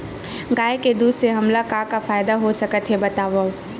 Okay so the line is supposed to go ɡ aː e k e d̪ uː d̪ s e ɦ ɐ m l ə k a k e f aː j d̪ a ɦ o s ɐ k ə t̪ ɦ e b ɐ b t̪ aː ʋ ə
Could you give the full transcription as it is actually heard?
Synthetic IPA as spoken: ɡ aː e k e d̪ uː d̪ s e ɦ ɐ m l a k a k a f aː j d̪ a ɦ o s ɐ k ə t̪ ɦ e b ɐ t̪ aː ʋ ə